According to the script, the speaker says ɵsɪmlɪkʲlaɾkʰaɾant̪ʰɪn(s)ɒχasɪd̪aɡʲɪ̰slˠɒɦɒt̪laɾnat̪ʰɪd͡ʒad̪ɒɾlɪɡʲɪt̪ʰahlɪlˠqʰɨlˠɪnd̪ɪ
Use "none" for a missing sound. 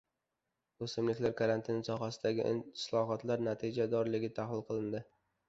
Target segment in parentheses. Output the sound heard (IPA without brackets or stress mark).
s